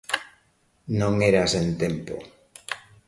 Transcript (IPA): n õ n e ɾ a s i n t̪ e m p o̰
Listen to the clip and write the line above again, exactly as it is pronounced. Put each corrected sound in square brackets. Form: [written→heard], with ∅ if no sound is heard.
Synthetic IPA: n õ [n→ŋ] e ɾ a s [i→e] n t̪ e m p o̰